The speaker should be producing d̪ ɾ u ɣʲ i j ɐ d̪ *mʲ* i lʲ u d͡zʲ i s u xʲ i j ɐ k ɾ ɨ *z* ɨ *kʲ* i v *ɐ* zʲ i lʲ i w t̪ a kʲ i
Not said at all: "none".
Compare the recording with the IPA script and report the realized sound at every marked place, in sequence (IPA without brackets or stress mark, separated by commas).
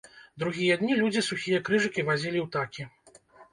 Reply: nʲ, ʐ, kʲ, a